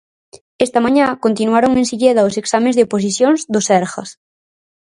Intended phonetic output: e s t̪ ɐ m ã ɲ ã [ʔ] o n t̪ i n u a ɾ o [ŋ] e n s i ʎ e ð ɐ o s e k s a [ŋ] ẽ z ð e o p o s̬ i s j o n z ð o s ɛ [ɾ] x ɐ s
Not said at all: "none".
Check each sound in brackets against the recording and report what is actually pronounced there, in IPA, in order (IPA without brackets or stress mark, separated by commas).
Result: k, ŋ, m, ɾ